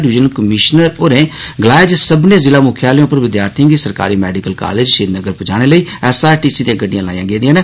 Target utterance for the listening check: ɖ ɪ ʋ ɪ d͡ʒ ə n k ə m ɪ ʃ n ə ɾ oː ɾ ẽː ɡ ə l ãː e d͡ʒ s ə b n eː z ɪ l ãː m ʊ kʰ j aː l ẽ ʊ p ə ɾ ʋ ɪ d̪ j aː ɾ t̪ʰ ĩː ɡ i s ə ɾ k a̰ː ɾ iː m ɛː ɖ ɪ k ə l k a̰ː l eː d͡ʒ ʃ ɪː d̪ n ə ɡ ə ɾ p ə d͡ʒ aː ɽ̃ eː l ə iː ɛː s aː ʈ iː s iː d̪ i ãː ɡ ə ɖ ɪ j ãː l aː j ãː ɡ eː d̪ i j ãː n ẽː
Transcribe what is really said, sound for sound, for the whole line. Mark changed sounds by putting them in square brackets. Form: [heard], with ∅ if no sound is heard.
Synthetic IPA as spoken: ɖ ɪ ʋ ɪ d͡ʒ ə n k ə m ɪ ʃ n ə ɾ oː ɾ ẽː ɡ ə l [aː] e d͡ʒ s ə b n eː z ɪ l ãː m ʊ kʰ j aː l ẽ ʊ p ə ɾ ʋ ɪ d̪ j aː ɾ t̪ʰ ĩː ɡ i s ə ɾ k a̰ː ɾ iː m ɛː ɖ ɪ k ə l k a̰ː l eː d͡ʒ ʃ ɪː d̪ n ə ɡ ə ɾ p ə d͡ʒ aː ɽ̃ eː l ə iː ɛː s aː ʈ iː s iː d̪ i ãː ɡ ə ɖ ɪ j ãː l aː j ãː ɡ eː d̪ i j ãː n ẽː

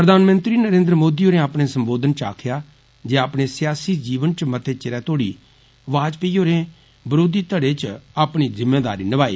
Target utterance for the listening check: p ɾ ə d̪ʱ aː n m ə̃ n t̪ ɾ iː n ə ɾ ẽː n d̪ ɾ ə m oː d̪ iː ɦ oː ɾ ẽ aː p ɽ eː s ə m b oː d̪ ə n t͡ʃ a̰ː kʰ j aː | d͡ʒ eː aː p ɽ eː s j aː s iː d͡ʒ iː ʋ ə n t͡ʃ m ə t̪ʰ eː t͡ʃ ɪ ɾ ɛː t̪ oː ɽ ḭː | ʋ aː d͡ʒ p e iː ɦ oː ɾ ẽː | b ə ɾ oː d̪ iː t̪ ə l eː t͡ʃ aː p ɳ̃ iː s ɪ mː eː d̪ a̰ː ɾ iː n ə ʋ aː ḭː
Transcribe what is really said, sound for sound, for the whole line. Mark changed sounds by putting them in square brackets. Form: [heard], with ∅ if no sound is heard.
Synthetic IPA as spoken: p ɾ ə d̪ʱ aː n m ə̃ n t̪ ɾ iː n ə ɾ ẽː n d̪ ɾ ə m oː d̪ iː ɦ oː ɾ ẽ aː p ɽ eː s ə m b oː d̪ ə n t͡ʃ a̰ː kʰ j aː | d͡ʒ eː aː p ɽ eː s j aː s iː d͡ʒ iː ʋ ə n t͡ʃ m ə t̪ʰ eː t͡ʃ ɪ ɾ ɛː t̪ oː ɽ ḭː | ʋ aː d͡ʒ p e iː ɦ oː ɾ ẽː | b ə ɾ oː d̪ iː t̪ ə [ɽ] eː t͡ʃ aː p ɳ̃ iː [z] ɪ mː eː d̪ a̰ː ɾ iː n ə ʋ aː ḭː

